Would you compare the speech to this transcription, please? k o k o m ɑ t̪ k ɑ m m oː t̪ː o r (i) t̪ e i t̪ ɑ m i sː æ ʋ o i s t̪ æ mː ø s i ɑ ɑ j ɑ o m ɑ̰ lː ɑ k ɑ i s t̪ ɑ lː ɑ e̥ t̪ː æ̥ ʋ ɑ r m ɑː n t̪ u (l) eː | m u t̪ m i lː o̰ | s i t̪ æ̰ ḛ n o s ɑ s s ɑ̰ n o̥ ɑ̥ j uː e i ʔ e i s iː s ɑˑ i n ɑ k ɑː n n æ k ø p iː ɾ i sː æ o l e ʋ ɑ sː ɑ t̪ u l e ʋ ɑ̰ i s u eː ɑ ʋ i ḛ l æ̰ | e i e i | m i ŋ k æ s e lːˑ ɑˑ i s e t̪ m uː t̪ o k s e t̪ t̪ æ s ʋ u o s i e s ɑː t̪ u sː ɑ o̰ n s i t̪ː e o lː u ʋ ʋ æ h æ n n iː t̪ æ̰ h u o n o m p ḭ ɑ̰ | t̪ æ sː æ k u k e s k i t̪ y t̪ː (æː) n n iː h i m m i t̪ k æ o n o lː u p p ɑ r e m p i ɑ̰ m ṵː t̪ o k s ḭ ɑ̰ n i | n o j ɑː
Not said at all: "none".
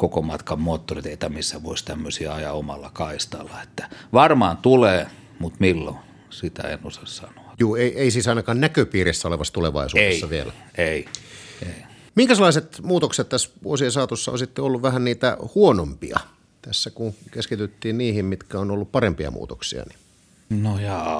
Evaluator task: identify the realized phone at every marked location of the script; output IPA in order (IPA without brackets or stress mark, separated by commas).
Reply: i, l, iː